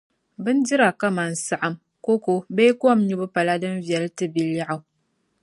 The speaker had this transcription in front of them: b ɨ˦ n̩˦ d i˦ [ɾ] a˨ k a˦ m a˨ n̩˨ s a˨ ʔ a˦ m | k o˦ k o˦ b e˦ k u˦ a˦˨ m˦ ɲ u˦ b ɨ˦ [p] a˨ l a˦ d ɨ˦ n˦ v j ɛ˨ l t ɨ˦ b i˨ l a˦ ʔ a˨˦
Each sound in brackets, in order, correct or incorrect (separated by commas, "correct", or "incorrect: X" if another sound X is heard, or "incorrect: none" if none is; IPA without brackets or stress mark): correct, correct